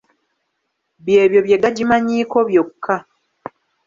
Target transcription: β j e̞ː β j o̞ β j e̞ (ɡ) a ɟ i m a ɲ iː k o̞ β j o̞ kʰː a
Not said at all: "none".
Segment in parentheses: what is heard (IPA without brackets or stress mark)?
ɡ